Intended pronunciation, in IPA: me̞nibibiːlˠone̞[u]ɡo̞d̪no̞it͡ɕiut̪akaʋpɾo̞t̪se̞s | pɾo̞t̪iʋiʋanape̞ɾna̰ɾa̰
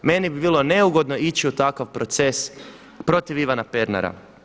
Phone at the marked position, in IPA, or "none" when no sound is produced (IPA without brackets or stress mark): u